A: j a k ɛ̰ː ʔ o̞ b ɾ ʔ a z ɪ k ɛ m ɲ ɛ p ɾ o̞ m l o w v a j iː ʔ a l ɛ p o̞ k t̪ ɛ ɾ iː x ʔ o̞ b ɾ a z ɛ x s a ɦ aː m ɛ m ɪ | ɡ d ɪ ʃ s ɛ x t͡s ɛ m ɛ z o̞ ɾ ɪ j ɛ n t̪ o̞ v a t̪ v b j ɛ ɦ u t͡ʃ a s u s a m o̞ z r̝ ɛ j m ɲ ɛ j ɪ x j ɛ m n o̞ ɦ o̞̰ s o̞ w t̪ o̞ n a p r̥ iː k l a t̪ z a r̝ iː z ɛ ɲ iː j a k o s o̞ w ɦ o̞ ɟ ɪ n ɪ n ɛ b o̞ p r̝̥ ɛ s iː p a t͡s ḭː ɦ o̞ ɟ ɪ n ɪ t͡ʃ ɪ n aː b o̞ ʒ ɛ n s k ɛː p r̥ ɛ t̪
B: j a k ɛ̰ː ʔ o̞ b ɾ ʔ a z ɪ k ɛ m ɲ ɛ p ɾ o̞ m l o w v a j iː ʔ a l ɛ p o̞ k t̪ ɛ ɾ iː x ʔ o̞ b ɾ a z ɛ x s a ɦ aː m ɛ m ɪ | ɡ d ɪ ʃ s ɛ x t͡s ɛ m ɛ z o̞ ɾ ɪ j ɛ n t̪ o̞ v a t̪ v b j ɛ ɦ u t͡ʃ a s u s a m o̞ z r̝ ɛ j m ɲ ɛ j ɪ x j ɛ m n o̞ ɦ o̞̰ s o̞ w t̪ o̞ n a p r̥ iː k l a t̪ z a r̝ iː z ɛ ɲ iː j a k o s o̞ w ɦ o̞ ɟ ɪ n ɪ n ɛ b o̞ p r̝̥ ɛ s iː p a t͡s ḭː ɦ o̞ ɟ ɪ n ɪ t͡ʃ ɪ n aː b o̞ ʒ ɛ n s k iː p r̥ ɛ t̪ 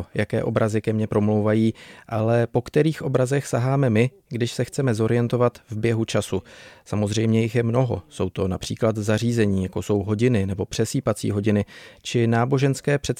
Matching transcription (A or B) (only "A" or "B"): A